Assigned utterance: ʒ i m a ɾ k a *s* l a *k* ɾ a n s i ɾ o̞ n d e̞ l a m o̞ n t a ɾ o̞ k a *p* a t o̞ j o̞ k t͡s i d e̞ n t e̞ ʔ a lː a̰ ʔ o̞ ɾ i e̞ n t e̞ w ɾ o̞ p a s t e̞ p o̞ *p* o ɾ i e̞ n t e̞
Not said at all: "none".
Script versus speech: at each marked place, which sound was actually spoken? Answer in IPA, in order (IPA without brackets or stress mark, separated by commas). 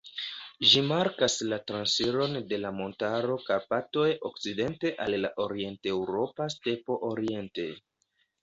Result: s, t, p, ʔ